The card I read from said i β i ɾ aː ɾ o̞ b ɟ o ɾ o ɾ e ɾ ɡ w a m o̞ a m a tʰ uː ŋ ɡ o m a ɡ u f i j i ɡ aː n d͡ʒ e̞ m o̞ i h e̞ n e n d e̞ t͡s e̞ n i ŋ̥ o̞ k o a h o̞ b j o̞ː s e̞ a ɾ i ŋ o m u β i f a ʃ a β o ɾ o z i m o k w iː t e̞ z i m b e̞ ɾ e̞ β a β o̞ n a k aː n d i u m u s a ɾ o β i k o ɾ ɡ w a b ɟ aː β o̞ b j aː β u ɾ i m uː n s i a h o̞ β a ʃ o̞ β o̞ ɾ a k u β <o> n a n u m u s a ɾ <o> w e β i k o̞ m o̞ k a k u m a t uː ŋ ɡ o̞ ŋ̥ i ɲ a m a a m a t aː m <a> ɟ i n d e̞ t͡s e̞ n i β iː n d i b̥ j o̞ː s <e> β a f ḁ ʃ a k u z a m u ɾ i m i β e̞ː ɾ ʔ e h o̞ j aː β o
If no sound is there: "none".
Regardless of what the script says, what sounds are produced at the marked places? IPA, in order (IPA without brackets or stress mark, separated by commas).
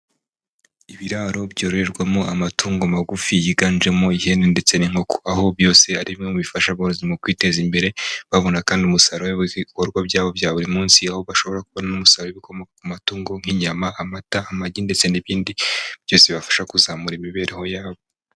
o, o, a, e